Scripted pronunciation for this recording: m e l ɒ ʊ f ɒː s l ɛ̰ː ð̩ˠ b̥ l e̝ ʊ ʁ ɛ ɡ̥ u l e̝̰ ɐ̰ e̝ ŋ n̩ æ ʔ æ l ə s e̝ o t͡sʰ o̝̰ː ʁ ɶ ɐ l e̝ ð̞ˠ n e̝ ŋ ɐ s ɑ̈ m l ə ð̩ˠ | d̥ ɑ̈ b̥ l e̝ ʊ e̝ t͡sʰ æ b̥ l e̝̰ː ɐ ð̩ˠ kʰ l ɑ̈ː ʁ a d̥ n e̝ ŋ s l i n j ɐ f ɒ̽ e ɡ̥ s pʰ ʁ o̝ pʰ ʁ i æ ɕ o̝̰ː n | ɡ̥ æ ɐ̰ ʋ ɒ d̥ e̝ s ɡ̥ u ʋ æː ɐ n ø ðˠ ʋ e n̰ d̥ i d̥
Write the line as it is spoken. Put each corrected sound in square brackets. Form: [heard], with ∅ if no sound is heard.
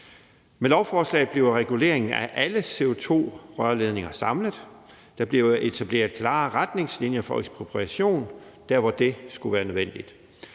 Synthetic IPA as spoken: m e l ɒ ʊ f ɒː s l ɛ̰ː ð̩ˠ b̥ l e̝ ʊ ʁ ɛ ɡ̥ u l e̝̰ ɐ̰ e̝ ŋ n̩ æ ʔ æ l ə s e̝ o t͡sʰ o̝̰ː ʁ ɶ ɐ l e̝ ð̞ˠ n e̝ ŋ ɐ s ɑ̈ m l ə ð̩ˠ | d̥ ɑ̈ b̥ l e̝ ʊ e̝ t͡sʰ æ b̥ l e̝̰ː ɐ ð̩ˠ kʰ l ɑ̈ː ʁ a d̥ n e̝ ŋ s l i n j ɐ f ɒ̽ e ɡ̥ s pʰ ʁ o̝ pʰ ʁ i æ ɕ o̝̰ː n | [d̥] æ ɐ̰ ʋ ɒ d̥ e̝ s ɡ̥ u ʋ æː ɐ n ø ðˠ ʋ e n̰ d̥ i d̥